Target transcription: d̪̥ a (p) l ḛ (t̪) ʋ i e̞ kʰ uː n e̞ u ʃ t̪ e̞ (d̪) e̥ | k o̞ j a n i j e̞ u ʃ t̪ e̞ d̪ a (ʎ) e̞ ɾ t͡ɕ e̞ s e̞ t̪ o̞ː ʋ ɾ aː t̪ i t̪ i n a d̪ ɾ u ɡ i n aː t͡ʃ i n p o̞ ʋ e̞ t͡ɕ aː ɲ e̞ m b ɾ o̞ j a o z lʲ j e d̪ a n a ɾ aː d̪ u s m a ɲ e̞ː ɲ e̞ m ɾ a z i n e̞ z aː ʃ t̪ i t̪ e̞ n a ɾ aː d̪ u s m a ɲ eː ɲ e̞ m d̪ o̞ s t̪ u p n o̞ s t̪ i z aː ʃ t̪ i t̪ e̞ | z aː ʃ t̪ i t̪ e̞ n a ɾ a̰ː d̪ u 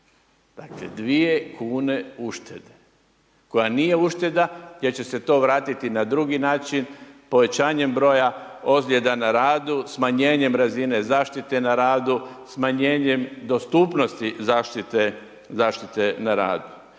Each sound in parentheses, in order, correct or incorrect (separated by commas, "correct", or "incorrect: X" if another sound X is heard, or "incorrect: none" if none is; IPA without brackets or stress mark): incorrect: k, incorrect: d̪, correct, incorrect: j